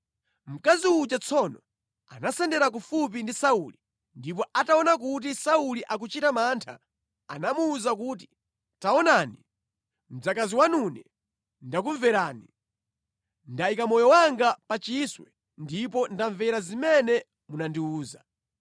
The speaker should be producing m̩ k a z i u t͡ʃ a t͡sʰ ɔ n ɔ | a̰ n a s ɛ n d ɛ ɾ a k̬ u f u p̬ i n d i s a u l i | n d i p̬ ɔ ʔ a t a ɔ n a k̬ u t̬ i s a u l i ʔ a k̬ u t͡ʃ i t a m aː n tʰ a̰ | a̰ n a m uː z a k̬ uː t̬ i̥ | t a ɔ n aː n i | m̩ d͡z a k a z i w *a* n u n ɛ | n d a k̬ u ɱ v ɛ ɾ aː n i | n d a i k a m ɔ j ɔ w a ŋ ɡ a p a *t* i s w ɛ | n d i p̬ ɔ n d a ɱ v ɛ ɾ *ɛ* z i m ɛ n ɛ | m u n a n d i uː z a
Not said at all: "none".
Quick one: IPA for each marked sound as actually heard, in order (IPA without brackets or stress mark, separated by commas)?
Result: a, t͡ʃ, a